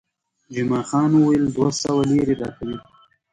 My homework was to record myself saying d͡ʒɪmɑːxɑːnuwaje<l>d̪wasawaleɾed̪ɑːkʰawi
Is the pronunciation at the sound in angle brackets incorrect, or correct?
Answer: correct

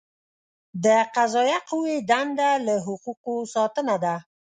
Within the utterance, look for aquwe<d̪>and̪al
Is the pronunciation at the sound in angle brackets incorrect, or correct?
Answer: correct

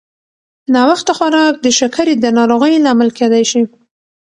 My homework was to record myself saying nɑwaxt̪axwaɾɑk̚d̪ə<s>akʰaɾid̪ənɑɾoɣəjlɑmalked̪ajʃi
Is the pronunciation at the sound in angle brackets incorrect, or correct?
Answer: incorrect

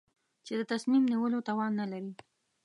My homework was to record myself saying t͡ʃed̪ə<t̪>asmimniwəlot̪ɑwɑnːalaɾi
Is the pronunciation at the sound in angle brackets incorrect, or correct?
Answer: correct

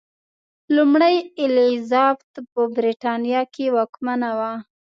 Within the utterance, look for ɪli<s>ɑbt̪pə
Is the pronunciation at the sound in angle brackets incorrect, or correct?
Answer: incorrect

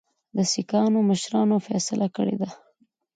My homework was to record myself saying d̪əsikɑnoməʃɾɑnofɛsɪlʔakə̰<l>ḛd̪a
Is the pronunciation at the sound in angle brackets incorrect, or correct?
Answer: incorrect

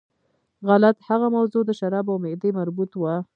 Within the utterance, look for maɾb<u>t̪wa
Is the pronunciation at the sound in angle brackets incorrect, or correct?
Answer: correct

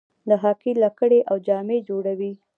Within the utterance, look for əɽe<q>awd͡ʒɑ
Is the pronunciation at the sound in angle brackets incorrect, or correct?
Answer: incorrect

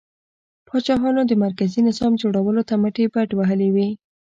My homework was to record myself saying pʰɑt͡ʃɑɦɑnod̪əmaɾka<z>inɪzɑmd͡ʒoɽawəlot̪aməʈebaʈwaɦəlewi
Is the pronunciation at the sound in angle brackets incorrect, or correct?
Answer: correct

